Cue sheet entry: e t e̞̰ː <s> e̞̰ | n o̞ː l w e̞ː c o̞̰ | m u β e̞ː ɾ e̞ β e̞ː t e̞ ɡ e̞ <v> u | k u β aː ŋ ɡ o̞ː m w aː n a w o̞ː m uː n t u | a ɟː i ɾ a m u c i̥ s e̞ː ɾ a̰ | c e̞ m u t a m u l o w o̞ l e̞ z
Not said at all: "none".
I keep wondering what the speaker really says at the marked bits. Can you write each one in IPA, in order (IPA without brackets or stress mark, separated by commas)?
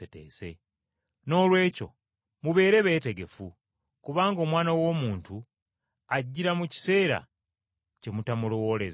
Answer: s, f